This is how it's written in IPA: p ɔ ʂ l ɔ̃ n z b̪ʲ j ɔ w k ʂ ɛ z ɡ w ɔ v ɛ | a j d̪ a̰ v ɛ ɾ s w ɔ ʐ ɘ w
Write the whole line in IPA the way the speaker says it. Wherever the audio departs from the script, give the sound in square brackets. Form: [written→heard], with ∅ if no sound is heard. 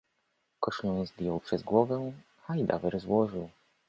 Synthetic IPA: [p→k] ɔ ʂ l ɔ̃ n z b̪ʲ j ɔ w [k→p] ʂ ɛ z ɡ w ɔ v ɛ | a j d̪ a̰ v ɛ ɾ [s→z] w ɔ ʐ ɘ w